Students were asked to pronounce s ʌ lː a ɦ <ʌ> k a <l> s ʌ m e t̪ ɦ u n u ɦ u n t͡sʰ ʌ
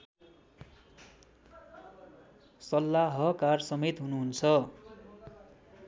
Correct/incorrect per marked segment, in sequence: correct, incorrect

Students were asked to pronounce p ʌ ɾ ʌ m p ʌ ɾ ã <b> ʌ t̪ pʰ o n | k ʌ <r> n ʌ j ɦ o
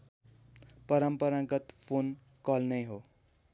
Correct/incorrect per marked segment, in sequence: incorrect, incorrect

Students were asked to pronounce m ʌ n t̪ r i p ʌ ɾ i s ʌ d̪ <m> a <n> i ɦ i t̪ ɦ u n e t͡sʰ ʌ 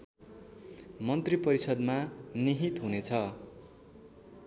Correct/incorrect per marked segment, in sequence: correct, correct

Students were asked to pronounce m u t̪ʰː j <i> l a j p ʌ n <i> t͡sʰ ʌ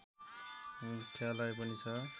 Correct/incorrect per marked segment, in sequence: incorrect, correct

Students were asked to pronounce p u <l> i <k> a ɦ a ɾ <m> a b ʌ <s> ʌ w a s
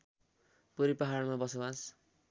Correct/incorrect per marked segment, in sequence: incorrect, incorrect, correct, correct

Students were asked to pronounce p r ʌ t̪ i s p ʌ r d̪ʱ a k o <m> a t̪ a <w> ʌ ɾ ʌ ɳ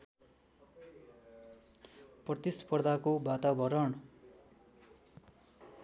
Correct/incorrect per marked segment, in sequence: incorrect, incorrect

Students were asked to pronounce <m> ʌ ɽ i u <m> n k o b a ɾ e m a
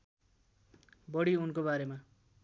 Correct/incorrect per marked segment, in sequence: incorrect, incorrect

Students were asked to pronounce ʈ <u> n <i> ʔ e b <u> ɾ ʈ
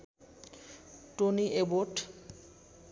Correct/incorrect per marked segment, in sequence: incorrect, correct, incorrect

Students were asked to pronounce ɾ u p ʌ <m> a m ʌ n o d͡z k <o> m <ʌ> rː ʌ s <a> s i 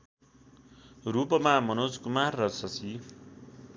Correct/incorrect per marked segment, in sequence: correct, incorrect, incorrect, incorrect

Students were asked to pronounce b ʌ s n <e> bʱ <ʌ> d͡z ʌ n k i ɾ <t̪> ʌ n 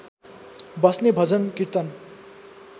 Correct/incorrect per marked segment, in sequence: correct, correct, correct

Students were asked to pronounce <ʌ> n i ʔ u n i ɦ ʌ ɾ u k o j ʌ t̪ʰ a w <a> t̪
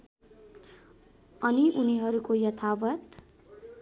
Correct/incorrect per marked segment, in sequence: correct, incorrect

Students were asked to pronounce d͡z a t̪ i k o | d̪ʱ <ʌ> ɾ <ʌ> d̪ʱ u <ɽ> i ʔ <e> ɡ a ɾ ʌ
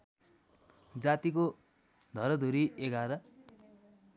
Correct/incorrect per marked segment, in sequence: correct, correct, incorrect, correct

